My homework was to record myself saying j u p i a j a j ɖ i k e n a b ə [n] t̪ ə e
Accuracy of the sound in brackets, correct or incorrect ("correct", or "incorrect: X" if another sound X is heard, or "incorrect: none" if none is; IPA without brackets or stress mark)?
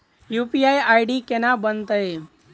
correct